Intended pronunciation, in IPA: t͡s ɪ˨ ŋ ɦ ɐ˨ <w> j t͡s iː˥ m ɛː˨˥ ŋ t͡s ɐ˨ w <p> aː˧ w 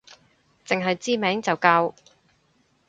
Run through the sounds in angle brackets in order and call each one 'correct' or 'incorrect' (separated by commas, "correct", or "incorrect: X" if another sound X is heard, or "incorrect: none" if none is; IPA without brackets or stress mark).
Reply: incorrect: none, incorrect: k